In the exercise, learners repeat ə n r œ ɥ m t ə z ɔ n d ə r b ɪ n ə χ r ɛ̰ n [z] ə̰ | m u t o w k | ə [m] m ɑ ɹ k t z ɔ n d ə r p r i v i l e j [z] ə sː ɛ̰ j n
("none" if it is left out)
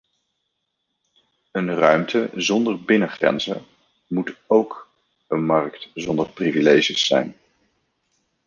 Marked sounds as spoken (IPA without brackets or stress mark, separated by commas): z, n, ʒ